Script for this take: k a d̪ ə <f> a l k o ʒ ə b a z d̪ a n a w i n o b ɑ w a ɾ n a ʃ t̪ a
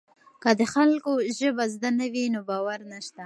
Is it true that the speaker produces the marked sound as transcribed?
no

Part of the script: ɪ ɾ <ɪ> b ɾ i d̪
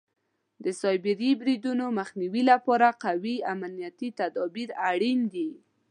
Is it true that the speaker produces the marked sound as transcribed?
no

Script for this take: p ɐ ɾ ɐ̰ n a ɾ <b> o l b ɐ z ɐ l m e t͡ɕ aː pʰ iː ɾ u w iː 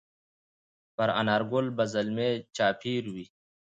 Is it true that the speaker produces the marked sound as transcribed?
no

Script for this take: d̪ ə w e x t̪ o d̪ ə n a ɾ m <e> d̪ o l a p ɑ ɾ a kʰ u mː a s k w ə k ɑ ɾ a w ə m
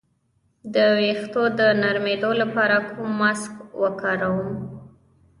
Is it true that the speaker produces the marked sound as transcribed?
yes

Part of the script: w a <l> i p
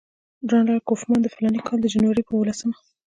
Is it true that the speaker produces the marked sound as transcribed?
no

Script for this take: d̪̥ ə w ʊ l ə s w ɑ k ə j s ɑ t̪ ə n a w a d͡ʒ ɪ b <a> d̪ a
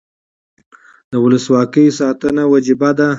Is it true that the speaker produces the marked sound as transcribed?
yes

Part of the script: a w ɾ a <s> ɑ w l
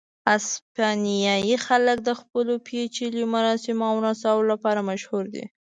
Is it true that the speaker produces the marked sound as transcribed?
yes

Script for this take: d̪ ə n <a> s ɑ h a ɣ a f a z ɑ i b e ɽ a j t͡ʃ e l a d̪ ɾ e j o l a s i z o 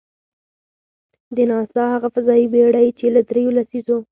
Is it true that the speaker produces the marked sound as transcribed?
no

